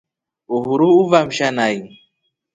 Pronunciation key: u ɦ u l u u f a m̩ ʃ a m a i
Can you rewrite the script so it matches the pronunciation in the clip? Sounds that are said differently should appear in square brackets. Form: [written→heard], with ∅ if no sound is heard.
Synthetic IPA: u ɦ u [l→ɾ] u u [f→v] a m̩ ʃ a [m→n] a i